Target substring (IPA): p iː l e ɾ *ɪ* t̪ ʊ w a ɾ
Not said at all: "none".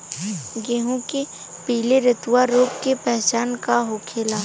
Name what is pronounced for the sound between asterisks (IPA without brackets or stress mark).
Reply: ɪ